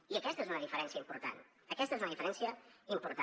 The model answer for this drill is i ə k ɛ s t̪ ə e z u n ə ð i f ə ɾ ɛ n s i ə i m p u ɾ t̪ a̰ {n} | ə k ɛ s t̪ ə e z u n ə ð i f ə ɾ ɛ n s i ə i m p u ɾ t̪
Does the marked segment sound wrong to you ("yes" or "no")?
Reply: no